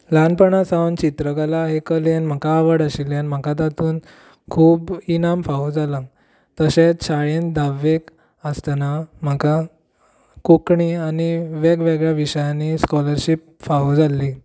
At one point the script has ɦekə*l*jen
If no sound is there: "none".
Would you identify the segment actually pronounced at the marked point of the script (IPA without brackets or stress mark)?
l